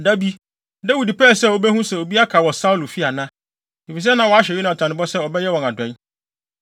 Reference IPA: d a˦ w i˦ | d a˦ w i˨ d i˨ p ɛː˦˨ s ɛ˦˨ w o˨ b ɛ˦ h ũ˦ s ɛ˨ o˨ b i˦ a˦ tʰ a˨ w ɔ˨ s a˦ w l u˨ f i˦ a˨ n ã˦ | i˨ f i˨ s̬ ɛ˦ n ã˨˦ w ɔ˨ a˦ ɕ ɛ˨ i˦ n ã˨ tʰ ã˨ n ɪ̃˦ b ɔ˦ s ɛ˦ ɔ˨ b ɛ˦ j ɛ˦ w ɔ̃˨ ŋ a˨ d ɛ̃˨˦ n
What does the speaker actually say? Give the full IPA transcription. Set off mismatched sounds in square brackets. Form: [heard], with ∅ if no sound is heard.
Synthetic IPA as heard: d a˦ [b] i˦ | d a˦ w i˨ d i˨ p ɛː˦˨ s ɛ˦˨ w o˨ b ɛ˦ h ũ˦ s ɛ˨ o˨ b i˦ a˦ [kʰ] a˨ w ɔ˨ s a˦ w l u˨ f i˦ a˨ n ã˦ | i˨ f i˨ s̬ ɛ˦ n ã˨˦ w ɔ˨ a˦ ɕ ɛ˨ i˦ n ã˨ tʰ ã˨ n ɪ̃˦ b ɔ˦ s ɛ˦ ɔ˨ b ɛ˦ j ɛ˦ w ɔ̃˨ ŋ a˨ d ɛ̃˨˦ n